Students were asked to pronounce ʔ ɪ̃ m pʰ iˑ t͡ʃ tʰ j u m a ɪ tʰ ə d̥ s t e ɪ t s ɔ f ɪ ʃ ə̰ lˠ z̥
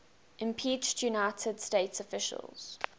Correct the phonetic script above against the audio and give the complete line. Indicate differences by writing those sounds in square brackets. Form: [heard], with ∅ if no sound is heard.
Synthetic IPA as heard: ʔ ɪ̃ m pʰ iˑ t͡ʃ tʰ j u [n] a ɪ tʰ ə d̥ s t e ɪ t s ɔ f ɪ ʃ ə̰ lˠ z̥

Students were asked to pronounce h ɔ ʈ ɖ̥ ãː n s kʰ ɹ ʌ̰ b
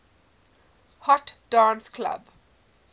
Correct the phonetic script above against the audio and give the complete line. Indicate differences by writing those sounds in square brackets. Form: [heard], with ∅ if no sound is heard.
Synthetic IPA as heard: h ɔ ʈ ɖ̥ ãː n s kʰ [l] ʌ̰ b

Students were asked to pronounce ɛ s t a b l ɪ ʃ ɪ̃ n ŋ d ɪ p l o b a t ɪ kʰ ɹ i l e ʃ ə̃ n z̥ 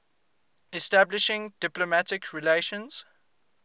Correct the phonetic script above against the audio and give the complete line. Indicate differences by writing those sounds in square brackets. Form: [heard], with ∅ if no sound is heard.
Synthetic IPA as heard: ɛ s t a b l ɪ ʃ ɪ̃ [∅] ŋ d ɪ p l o [m] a t ɪ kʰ ɹ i l e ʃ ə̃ n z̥

